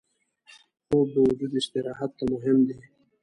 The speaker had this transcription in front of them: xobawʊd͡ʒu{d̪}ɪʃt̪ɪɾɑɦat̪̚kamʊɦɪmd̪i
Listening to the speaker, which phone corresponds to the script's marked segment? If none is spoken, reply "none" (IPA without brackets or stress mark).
d̪